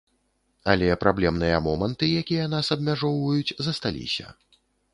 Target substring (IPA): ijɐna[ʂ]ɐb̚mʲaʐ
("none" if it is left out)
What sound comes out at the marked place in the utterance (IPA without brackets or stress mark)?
s